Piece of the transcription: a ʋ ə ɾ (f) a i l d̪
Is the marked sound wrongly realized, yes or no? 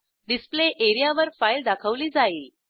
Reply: no